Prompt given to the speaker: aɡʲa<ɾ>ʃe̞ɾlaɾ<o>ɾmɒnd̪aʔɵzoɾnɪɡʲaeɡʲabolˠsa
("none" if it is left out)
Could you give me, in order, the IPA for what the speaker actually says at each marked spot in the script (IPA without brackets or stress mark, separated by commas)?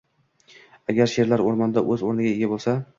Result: ɾ, o